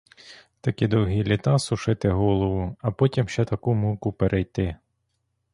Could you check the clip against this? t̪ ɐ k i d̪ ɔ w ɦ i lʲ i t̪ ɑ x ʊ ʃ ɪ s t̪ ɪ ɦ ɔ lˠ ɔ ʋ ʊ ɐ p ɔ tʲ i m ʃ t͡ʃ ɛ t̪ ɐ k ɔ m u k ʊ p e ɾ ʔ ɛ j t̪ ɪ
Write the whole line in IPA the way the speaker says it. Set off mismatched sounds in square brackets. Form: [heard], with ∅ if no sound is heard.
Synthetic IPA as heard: t̪ ɐ k i d̪ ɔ w ɦ i lʲ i t̪ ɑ [s] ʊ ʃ ɪ [∅] t̪ ɪ ɦ ɔ lˠ ɔ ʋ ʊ ɐ p ɔ tʲ i m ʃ t͡ʃ ɛ t̪ ɐ k [u] m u k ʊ p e ɾ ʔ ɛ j t̪ ɪ